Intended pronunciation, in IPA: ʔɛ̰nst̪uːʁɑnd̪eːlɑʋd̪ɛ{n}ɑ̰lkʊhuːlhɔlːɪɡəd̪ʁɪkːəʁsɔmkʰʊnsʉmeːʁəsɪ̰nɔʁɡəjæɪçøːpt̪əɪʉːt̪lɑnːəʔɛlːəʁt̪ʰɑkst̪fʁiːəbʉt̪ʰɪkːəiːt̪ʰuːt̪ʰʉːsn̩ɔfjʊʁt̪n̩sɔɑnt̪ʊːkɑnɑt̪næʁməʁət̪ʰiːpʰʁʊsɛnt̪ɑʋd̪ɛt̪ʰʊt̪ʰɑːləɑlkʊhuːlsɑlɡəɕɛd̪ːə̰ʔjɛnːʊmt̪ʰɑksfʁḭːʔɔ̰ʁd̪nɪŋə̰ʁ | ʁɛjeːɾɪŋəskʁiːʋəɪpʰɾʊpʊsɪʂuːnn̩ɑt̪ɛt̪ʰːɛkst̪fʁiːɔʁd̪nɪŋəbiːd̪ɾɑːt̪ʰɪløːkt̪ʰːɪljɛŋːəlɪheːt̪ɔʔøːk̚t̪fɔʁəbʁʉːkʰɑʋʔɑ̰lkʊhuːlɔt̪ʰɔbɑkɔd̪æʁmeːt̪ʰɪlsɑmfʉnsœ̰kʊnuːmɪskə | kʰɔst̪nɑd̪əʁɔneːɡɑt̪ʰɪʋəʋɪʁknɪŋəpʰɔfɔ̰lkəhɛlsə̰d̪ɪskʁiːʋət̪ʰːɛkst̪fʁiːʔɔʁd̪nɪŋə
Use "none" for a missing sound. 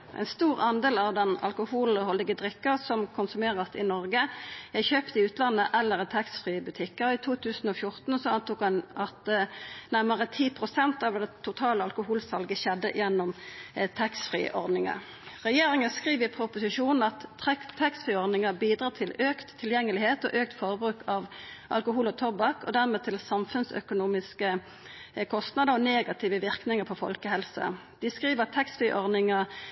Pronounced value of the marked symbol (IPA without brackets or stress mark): n